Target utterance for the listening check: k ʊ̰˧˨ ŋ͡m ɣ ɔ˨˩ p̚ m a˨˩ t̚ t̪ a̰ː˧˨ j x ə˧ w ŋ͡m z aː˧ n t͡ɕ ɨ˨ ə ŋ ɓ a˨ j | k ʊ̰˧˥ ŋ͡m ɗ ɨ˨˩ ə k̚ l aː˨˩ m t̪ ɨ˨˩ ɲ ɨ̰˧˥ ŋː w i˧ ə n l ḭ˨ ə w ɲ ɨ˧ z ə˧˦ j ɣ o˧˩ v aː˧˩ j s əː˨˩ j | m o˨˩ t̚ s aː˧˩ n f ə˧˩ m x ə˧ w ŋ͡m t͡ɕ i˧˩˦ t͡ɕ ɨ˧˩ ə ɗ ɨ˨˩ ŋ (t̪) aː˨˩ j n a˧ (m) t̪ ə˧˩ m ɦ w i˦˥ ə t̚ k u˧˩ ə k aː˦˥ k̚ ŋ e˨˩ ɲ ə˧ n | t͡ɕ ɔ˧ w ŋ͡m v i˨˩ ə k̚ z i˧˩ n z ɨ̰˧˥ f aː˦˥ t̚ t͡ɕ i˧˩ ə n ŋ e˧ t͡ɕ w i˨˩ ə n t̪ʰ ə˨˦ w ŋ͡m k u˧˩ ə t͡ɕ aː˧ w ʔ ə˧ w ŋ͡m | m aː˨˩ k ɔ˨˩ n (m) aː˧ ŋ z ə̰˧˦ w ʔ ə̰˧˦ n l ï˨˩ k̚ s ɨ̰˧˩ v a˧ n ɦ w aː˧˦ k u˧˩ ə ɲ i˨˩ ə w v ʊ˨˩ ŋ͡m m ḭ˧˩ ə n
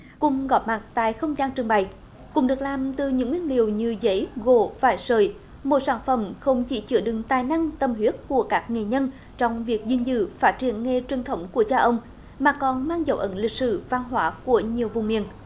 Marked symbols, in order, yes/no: yes, no, yes

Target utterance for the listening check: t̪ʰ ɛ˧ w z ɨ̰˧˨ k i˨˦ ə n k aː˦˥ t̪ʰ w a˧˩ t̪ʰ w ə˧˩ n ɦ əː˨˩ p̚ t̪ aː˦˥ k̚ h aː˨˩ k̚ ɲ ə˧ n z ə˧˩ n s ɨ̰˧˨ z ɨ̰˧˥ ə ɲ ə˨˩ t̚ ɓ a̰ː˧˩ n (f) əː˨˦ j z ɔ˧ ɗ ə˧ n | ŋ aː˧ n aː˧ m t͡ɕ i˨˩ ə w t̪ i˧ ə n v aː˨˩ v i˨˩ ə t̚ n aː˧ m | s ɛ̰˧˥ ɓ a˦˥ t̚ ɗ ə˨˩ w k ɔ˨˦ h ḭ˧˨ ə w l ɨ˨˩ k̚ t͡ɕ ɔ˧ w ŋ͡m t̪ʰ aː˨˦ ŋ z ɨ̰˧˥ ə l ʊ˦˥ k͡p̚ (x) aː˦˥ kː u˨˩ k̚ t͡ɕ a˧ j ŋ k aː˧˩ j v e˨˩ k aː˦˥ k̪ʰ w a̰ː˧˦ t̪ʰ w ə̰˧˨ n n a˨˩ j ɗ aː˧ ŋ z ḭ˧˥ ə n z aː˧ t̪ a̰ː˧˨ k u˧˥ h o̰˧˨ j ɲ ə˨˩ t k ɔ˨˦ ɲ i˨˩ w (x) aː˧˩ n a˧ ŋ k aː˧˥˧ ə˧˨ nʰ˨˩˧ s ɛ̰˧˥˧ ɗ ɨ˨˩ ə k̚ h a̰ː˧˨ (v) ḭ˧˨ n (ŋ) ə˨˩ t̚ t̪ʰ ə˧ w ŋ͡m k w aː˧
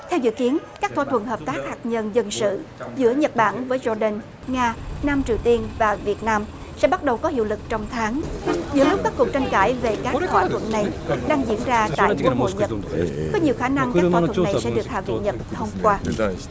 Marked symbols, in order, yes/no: no, no, yes, yes, no

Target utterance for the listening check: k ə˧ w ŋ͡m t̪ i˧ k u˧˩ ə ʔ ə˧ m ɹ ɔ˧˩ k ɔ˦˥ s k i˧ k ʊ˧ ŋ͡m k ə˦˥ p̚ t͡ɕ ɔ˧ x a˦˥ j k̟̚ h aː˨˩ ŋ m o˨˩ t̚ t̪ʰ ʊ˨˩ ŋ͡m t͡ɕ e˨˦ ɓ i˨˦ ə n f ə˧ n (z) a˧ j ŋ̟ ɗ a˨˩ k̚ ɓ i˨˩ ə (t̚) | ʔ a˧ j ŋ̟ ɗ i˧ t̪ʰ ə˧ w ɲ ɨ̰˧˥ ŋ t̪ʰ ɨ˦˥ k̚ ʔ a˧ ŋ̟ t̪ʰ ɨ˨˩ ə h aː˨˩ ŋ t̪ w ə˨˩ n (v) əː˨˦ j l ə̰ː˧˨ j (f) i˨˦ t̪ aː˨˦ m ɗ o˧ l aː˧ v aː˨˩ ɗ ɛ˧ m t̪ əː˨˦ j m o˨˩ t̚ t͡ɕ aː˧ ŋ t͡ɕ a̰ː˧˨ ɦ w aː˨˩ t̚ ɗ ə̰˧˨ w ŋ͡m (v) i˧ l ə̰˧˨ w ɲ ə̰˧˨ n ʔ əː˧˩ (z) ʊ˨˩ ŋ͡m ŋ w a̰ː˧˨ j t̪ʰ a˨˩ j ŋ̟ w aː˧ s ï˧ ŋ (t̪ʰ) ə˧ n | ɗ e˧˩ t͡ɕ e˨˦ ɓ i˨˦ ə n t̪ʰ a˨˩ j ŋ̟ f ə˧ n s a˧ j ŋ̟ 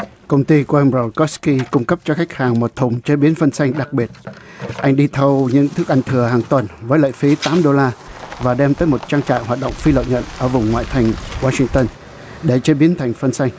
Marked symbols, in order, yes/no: no, yes, yes, yes, no, no, no

